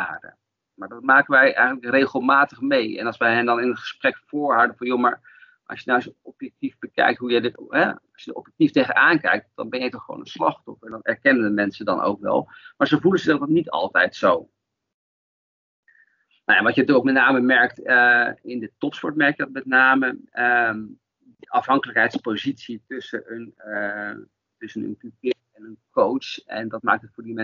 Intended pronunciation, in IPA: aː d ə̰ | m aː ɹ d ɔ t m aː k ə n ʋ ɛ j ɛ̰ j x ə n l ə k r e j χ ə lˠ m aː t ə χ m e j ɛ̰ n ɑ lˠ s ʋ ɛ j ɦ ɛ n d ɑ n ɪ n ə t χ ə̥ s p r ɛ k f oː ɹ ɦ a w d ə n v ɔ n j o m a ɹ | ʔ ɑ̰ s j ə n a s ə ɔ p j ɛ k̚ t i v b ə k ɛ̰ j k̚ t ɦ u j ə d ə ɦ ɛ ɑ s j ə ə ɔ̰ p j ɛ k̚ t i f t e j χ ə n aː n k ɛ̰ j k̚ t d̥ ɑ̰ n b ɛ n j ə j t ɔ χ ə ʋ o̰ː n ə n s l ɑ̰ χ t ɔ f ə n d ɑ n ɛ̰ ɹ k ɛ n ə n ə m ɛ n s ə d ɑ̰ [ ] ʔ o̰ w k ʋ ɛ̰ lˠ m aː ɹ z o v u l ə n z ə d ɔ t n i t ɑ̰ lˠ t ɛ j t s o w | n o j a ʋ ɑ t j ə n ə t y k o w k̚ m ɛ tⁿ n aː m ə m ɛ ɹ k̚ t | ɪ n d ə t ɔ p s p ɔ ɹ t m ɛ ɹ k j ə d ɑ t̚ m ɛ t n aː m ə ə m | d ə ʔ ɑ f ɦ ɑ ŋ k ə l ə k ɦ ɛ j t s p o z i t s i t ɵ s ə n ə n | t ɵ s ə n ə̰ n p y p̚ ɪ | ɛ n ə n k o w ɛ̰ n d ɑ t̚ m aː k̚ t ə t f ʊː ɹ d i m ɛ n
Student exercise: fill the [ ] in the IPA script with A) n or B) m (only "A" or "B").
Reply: A